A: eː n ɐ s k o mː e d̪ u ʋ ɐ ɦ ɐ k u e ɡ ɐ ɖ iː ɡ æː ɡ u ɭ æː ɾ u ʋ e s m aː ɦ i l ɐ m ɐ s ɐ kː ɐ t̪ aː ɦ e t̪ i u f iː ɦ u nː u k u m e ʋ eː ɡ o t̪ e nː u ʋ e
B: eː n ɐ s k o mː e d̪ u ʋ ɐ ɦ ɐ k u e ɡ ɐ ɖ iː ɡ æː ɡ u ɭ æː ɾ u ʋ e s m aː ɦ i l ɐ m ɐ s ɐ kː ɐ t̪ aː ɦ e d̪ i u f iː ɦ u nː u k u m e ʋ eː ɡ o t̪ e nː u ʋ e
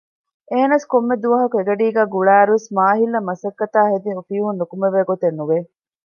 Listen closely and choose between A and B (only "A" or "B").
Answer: B